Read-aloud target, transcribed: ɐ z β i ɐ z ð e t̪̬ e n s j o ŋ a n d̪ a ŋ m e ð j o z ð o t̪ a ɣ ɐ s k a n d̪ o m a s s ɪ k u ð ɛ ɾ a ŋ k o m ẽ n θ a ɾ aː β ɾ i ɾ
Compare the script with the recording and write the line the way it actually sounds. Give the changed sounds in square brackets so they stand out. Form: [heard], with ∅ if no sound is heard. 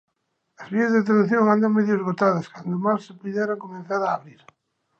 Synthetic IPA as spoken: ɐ z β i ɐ z ð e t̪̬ e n [θ] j o ŋ a n d̪ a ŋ m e ð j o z [ɣ] o t̪ a [ð] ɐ s k a n d̪ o m a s s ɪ [p] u ð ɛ ɾ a ŋ k o m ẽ n θ a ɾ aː β ɾ i ɾ